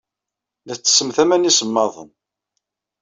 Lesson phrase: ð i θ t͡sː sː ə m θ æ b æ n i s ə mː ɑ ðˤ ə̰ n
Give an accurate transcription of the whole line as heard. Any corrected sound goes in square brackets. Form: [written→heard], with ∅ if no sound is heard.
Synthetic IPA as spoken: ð [i→æ] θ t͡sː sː ə m θ æ [b→m] æ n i s ə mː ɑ ðˤ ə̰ n